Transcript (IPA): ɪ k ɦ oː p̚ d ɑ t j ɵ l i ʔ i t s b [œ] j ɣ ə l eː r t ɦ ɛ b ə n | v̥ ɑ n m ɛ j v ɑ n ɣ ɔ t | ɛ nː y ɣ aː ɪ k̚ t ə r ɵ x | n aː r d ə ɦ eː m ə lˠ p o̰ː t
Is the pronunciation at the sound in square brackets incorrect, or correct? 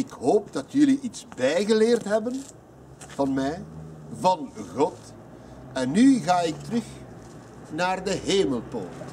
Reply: incorrect